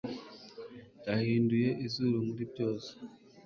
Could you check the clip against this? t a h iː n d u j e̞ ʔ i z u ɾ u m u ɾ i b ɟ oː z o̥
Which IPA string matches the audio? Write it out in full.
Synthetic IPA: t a h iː n d u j e̞ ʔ i z u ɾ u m u ɾ i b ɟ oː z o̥

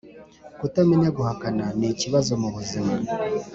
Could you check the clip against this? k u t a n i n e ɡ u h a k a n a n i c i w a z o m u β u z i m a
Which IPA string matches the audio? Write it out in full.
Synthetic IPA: k u t a m i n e ɡ u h a k a n a n i c i β a z o m u β u z i m a

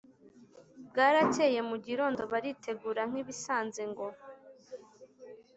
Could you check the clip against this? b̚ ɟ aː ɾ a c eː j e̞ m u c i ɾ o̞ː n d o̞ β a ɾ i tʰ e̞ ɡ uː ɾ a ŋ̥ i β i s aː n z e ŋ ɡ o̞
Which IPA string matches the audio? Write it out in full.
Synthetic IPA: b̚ ɡ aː ɾ a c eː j e̞ m u ɟ i ɾ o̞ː n d o̞ β a ɾ i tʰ e̞ ɡ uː ɾ a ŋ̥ i β i s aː n z e ŋ ɡ o̞

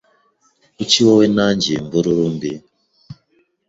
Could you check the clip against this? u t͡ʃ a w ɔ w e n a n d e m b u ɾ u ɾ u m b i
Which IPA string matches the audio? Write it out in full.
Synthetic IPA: u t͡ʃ i w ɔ w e n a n d͡ʒ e m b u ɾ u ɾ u m b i

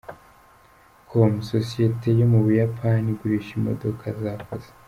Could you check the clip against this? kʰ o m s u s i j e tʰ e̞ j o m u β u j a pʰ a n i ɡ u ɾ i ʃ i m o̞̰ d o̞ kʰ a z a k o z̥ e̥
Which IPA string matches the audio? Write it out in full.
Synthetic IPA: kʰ o m s o s i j e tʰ e̞ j o m u β u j a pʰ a n i ɡ u ɾ i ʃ i m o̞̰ d o̞ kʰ a z a k o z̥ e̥

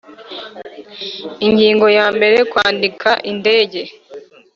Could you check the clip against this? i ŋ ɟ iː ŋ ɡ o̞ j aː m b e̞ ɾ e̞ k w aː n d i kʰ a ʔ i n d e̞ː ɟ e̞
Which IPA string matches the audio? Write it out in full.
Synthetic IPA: i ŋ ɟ iː ŋ ɡ o̞ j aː m b e̞ ɾ e̞ k w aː n d i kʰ a ʔ i n d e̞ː ɟ e̞

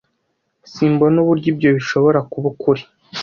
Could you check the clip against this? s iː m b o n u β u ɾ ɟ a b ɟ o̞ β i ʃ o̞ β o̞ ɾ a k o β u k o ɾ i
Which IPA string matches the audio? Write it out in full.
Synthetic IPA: s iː m b o n u β u ɾ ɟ i b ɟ o̞ β i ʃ o̞ β o̞ ɾ a k u β u k u ɾ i

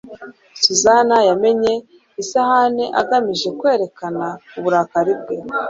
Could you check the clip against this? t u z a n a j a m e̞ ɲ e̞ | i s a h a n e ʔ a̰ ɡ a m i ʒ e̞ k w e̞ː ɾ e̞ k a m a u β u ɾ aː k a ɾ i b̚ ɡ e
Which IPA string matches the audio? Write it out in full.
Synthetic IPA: s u z a n a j a m e̞ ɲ e̞ | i s a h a n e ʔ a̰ ɡ a m i ʒ e̞ k w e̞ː ɾ e̞ k a n a u β u ɾ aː k a ɾ i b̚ ɡ e

